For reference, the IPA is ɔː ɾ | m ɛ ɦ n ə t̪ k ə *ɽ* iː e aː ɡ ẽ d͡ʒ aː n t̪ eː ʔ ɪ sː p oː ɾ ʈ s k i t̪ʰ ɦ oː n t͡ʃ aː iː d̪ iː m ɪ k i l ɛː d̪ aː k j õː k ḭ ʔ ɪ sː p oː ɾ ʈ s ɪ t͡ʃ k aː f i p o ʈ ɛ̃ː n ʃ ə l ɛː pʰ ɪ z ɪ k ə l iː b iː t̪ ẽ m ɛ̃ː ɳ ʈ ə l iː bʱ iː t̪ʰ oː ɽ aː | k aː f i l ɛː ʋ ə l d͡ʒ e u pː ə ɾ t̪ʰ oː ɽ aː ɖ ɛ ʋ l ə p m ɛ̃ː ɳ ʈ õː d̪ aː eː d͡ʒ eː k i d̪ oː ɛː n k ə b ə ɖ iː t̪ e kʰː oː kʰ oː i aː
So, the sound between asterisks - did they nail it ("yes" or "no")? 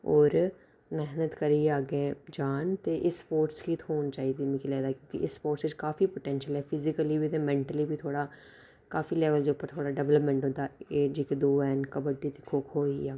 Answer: no